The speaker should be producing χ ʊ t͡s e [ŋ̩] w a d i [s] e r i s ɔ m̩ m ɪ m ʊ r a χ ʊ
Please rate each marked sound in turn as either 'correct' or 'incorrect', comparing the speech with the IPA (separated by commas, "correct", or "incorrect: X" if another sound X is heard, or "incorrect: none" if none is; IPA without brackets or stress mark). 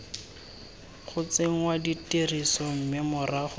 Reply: correct, incorrect: t